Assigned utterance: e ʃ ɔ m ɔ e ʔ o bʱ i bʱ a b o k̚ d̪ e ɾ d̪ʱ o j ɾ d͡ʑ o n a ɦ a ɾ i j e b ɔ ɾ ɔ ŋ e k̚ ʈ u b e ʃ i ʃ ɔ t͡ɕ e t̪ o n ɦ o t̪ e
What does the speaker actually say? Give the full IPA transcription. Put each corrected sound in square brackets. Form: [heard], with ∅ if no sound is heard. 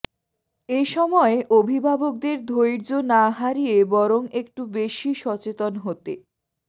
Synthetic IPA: e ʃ ɔ m ɔ e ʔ o bʱ i bʱ a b o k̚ d̪ e ɾ d̪ʱ o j ɾ d͡ʑ o n a ɦ a ɾ i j e b ɔ ɾ [o] ŋ e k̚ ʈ u b e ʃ i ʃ ɔ t͡ɕ e t̪ o n ɦ o t̪ e